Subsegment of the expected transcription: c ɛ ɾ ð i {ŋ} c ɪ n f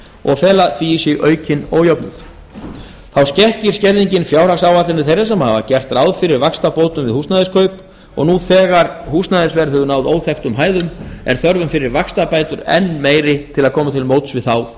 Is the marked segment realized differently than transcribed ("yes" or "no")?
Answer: yes